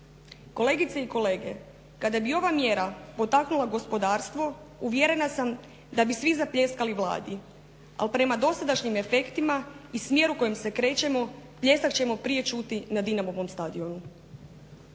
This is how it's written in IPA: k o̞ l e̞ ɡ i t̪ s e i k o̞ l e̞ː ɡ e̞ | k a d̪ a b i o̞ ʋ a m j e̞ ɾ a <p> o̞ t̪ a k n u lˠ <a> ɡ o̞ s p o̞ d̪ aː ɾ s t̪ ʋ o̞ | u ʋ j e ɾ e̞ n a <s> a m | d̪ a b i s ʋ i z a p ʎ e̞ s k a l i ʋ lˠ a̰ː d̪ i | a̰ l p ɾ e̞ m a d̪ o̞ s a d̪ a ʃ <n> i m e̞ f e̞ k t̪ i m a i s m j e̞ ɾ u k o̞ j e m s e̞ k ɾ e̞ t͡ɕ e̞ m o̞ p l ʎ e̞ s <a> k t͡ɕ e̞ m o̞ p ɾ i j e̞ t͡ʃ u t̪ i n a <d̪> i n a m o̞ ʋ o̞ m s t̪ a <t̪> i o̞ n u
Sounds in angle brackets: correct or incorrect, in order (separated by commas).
correct, correct, correct, incorrect, correct, correct, incorrect